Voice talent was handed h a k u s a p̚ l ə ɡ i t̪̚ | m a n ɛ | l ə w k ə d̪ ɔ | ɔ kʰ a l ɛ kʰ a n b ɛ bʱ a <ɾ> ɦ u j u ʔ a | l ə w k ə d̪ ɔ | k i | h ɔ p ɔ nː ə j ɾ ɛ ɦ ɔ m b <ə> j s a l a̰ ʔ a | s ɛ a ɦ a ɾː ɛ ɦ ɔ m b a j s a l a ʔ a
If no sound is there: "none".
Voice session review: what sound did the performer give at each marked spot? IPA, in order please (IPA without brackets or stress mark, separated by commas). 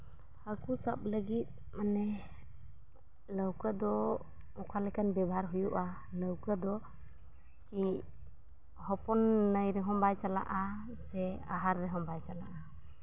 ɾ, a